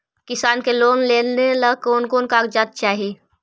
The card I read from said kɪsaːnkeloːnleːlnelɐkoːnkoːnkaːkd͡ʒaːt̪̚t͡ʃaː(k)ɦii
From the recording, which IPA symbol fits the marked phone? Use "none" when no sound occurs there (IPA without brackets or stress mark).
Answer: none